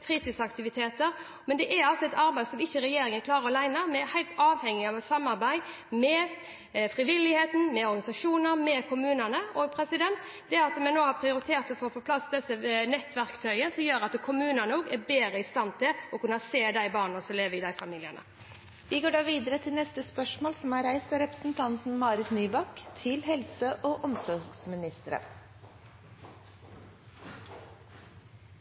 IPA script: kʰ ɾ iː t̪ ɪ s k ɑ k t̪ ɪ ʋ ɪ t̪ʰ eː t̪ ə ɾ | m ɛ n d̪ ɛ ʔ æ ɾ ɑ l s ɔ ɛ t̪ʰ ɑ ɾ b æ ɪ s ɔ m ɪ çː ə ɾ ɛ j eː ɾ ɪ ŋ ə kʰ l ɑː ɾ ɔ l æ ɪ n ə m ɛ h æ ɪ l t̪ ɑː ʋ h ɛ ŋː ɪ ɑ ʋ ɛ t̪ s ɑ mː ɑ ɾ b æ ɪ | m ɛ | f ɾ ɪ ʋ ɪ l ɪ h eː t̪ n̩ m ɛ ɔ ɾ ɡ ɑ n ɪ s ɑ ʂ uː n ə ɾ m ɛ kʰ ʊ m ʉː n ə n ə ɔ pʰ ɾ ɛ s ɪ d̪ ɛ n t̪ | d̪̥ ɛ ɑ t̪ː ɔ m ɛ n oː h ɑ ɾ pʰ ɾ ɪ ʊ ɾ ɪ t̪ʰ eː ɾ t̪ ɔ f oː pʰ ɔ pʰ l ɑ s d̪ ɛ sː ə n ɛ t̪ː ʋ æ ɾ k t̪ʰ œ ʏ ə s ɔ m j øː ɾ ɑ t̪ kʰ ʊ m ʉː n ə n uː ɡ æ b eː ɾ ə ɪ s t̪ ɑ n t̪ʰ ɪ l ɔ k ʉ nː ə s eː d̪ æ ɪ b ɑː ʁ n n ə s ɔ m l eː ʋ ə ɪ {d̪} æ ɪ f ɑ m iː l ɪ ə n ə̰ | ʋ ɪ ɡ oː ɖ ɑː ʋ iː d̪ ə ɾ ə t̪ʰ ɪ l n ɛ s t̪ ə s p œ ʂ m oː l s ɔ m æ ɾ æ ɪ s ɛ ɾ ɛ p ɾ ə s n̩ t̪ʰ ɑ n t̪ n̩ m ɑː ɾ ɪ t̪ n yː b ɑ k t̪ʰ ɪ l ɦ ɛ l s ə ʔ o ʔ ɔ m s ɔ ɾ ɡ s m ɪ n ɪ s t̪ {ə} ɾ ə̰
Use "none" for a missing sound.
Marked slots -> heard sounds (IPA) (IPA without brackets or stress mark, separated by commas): d̪, ə